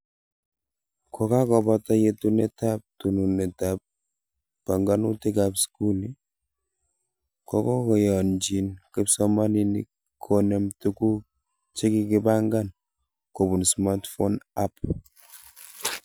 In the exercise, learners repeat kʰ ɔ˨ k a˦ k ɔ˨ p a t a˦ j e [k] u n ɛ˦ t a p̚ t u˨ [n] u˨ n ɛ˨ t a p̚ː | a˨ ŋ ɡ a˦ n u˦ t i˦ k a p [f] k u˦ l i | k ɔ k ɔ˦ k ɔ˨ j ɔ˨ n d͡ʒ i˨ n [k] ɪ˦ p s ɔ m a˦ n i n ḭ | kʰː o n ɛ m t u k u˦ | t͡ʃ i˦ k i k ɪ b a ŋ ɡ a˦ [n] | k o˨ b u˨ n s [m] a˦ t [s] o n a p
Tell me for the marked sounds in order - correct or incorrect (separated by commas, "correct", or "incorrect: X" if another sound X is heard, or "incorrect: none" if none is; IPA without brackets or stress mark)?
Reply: incorrect: t, correct, incorrect: s, correct, correct, correct, incorrect: f